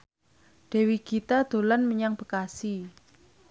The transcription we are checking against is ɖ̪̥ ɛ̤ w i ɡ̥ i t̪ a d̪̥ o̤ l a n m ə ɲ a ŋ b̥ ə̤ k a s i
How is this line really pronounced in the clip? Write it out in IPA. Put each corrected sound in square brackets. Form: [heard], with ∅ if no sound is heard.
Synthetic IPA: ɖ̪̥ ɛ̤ w i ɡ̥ i t̪ a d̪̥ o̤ l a n m ə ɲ a ŋ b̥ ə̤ k a s i